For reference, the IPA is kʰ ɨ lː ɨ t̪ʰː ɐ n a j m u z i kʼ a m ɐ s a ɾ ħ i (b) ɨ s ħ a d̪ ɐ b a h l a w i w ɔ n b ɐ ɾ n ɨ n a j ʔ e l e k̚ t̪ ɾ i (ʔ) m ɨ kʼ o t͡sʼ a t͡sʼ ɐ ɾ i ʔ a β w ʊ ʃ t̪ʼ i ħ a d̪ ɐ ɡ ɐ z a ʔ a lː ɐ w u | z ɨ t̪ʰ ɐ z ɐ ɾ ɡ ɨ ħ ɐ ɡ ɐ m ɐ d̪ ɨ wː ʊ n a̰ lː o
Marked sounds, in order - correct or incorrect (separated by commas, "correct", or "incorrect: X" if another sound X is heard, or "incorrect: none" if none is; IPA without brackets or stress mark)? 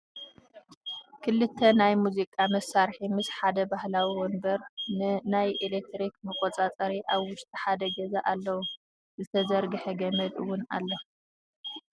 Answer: incorrect: m, incorrect: k